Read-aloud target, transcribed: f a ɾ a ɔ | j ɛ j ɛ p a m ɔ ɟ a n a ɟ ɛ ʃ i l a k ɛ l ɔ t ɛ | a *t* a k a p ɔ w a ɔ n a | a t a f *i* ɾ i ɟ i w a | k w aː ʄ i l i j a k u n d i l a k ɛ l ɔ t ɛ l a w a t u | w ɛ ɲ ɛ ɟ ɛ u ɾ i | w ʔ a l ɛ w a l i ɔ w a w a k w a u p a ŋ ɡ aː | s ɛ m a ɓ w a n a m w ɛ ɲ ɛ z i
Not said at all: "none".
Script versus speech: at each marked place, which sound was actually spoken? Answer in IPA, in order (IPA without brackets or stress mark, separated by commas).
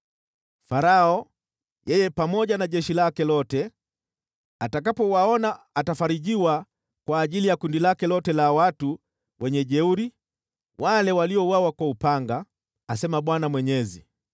t, a